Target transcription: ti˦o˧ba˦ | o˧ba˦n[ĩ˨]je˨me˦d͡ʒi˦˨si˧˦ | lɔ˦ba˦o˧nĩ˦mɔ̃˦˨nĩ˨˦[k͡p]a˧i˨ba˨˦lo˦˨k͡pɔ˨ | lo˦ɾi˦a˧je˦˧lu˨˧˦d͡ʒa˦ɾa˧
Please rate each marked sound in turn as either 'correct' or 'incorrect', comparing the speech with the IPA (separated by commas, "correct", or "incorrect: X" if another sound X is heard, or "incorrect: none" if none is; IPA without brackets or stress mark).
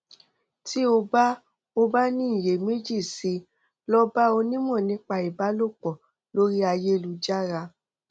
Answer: incorrect: ĩ˦˨, correct